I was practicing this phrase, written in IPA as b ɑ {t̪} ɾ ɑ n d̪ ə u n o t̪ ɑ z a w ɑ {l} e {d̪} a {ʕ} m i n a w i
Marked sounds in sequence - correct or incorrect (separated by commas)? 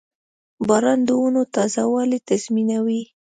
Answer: incorrect, correct, incorrect, incorrect